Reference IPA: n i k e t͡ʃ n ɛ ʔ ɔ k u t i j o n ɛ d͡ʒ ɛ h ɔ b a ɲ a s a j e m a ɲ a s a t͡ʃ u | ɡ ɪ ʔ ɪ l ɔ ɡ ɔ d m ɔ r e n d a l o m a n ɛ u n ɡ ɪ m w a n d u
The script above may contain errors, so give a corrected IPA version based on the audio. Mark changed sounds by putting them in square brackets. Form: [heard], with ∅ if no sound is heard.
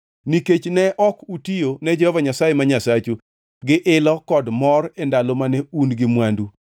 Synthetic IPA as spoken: n i k e t͡ʃ n ɛ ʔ ɔ k u t i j o n ɛ d͡ʒ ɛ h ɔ [v] a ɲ a s a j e m a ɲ a s a t͡ʃ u | ɡ ɪ ʔ ɪ l ɔ [k] ɔ d m ɔ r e n d a l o m a n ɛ u n ɡ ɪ m w a n d u